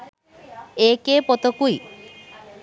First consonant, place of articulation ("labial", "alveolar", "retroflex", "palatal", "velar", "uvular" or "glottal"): velar